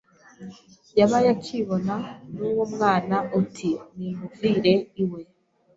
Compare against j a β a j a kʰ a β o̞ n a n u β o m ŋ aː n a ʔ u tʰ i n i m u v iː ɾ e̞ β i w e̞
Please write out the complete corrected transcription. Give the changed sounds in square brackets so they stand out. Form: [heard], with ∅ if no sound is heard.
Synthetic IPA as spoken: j a β a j a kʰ [i] β o̞ n a n u [w] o m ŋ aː n a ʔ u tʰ i n i m u v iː ɾ e̞ [∅] i w e̞